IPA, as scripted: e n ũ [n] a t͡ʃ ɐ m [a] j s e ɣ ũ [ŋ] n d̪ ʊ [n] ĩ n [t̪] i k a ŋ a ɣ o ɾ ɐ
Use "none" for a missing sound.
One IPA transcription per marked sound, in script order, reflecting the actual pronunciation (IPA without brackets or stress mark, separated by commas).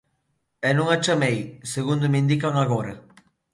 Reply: ŋ, e, none, m, d̪